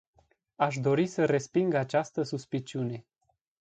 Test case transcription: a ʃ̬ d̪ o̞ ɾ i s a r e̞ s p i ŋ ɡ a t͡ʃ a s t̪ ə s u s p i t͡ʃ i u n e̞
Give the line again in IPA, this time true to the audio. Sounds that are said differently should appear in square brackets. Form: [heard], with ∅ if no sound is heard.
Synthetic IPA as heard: a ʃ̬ d̪ o̞ ɾ i s [ə] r e̞ s p i ŋ ɡ a t͡ʃ a s t̪ ə s u s p i t͡ʃ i u n e̞